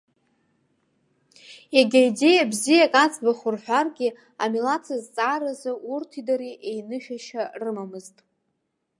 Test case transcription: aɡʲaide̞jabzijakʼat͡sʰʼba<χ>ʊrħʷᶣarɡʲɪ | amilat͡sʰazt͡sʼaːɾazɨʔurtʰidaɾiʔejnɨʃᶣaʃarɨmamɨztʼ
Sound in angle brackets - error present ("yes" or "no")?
no